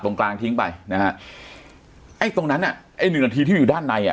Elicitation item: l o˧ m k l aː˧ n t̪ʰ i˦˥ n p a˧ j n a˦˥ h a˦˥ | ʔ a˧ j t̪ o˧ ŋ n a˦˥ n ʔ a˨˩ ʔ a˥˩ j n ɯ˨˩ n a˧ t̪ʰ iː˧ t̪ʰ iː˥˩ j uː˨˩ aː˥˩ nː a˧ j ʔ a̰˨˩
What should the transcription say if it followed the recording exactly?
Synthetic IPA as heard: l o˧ ŋ k l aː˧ ŋ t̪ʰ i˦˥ ŋ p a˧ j n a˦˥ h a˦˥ | ʔ a˥˩ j t̪ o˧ ŋ n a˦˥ n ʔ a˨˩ ʔ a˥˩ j n ɯ˨˩ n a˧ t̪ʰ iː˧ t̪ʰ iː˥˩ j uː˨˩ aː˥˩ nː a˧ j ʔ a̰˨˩

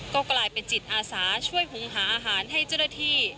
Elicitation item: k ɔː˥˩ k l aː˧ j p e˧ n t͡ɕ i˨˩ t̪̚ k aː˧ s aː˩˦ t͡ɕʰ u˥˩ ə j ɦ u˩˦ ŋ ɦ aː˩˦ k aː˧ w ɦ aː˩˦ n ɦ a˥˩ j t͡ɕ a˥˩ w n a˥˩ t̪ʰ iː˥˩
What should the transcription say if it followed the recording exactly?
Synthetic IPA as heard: k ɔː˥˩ k l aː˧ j p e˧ n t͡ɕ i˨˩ t̪̚ ʔ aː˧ s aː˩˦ t͡ɕʰ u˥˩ ə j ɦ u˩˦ ŋ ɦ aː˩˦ ʔ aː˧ ɦ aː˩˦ n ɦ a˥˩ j t͡ɕ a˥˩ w n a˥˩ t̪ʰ iː˥˩

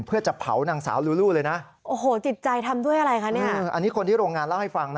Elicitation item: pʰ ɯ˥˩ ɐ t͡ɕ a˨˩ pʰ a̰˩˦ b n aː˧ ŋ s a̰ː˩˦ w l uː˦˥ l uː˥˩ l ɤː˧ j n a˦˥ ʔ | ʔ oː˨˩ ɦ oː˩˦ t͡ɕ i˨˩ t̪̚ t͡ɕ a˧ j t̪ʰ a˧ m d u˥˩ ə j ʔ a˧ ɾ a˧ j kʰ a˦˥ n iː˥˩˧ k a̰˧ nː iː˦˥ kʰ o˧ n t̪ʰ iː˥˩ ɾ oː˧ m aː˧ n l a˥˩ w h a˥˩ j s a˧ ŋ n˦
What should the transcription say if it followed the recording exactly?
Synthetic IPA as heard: pʰ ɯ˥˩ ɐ t͡ɕ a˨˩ pʰ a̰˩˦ w n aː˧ ŋ s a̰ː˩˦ w l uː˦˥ l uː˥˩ l ɤː˧ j n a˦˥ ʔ | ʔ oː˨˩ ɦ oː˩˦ t͡ɕ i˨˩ t̪̚ t͡ɕ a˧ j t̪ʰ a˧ m d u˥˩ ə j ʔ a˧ ɾ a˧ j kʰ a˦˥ n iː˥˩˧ ʔ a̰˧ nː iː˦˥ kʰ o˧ n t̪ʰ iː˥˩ ɾ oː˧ ŋ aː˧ n l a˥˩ w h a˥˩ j f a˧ ŋ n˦

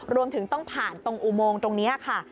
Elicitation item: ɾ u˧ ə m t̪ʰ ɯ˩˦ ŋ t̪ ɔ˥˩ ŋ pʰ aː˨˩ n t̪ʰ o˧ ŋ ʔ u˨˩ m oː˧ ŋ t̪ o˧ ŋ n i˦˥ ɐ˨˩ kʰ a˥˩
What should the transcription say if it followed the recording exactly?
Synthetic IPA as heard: ɾ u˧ ə m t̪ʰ ɯ˩˦ ŋ t̪ ɔ˥˩ ŋ pʰ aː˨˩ n t̪ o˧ ŋ ʔ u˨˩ m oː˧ ŋ t̪ o˧ ŋ n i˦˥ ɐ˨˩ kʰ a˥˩

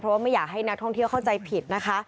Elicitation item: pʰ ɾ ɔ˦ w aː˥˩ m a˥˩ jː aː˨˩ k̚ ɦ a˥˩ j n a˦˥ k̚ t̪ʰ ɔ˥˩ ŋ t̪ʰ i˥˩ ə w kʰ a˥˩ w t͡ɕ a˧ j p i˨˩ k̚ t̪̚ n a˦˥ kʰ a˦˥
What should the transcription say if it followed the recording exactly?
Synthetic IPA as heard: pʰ ɾ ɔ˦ w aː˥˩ m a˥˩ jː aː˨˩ k̚ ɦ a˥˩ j n a˦˥ k̚ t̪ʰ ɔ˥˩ ŋ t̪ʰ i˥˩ ə w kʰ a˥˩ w t͡ɕ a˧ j pʰ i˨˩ t̪̚ n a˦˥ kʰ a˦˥

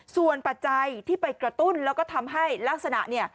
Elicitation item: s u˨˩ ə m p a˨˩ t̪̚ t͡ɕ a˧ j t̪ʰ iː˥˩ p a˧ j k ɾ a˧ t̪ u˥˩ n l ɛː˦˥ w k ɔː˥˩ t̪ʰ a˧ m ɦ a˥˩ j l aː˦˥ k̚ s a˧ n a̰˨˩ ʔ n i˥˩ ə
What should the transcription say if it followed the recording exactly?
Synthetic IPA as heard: s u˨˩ ə n p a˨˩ t̪̚ t͡ɕ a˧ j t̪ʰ iː˥˩ p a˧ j k ɾ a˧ t̪ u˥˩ n l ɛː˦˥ w k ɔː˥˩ t̪ʰ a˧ m ɦ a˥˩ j l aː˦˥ k̚ s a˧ n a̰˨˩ ʔ n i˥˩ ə

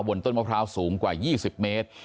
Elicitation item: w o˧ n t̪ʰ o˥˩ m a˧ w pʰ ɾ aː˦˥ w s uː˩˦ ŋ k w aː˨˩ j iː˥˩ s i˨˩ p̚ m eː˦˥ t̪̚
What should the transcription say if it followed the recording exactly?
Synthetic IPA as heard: w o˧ n t̪ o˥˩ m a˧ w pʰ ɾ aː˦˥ w s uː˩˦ ŋ k w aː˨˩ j iː˥˩ s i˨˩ p̚ m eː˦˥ t̪̚

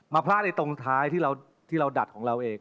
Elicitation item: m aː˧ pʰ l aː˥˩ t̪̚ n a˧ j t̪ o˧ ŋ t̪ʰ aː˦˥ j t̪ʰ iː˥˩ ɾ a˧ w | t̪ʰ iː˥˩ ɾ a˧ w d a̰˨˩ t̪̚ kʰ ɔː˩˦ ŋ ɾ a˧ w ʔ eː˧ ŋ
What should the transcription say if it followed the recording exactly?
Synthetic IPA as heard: m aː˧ pʰ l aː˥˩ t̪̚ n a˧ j t̪ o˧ ŋ t̪ʰ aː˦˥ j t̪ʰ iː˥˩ ɾ a˧ w | t̪ʰ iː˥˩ ɾ a˧ w d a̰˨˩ t̪̚ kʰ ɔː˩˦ ŋ ɾ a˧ w ʔ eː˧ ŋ

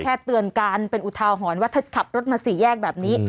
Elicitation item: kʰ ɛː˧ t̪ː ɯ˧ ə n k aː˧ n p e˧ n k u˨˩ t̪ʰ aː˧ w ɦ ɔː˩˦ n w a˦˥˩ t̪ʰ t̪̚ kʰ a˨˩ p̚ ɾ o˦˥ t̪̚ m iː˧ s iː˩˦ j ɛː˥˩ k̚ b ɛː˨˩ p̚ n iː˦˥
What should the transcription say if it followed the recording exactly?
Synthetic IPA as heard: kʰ ɛː˥˩ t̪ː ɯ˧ ə n k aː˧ n p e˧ n ʔ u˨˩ t̪ʰ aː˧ w ɦ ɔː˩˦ n w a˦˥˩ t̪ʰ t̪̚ kʰ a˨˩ p̚ ɾ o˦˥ t̪̚ m aː˧ s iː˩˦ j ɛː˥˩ k̚ b ɛː˨˩ p̚ n iː˦˥

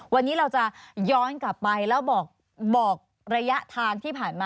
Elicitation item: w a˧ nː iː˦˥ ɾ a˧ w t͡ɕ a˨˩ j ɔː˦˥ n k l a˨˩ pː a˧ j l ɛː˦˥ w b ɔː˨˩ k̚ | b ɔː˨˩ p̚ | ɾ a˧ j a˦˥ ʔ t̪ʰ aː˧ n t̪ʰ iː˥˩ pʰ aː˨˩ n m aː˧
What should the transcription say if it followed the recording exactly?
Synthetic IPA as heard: w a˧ nː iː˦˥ ɾ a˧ w t͡ɕ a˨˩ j ɔː˦˥ n k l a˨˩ pː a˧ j l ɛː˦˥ w b ɔː˨˩ k̚ | b ɔː˨˩ k̚ | ɾ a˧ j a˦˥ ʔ t̪ʰ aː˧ ŋ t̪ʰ iː˥˩ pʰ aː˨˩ n m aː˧

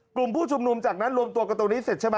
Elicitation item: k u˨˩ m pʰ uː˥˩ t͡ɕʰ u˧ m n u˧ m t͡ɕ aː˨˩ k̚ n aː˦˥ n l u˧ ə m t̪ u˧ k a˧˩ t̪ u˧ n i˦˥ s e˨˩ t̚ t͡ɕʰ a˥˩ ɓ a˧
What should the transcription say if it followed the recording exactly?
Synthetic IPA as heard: k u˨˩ m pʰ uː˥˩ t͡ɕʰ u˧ m n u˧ m t͡ɕ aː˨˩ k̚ n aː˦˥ n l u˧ ə m t̪ u˧ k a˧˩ t̪ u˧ n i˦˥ s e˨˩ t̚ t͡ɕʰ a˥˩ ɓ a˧

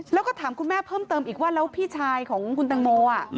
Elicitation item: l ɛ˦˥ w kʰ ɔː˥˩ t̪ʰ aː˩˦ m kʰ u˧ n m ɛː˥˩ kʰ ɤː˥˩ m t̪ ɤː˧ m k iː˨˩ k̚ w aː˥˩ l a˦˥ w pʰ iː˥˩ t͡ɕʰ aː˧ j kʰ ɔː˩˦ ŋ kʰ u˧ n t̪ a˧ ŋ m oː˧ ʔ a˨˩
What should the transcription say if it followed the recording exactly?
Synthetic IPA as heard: l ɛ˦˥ w k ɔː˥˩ t̪ʰ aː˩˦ m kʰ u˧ n m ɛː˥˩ pʰ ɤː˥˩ m t̪ ɤː˧ m ʔ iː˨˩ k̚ w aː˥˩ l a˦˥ w pʰ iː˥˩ t͡ɕʰ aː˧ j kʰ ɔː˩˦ ŋ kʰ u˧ n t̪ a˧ ŋ m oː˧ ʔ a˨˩

